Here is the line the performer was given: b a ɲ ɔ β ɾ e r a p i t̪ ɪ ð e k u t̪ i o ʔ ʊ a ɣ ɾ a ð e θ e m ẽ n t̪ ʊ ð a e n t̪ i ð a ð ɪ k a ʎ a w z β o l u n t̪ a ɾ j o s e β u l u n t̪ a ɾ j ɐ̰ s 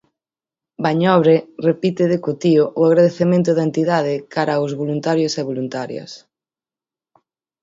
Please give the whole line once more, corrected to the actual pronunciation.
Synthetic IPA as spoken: b a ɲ ɔ β ɾ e r e p i t̪ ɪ ð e k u t̪ i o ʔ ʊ a ɣ ɾ a ð e θ e m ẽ n t̪ ʊ ð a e n t̪ i ð a ð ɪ k a ɾ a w z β o l u n t̪ a ɾ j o s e β o l u n t̪ a ɾ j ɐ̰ s